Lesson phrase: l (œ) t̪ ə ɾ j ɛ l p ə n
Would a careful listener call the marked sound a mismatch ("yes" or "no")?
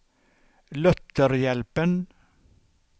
no